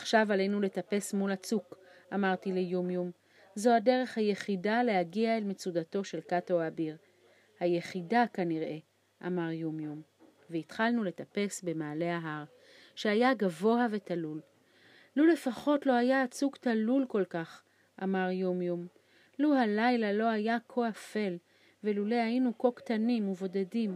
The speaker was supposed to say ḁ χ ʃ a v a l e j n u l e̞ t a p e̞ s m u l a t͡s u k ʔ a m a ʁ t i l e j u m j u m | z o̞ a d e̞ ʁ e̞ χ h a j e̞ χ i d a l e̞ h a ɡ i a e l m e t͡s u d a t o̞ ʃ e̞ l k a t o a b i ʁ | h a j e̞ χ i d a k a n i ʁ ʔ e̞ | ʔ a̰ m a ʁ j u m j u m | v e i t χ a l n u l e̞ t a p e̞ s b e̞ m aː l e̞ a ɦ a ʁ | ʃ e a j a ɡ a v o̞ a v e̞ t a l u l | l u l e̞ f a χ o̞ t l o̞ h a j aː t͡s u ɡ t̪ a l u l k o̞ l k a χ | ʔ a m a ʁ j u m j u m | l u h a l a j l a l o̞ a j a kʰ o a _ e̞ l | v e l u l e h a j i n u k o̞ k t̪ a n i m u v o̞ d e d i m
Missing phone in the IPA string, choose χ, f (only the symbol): f